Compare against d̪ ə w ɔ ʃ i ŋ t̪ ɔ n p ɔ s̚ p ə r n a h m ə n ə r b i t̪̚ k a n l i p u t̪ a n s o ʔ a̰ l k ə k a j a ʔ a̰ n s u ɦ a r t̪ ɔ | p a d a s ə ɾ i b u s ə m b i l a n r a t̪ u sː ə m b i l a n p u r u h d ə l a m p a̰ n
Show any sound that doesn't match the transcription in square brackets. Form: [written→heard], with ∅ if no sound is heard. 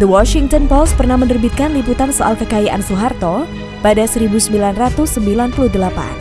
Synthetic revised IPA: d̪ ə w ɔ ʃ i ŋ t̪ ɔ n p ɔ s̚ p ə r n a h m ə n ə r b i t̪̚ k a n l i p u t̪ a n s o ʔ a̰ l k ə k a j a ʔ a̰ n s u ɦ a r t̪ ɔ | p a d a s ə ɾ i b u s ə m b i l a n r a t̪ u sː ə m b i l a n p u [r→l] u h d ə l a [m→∅] p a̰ n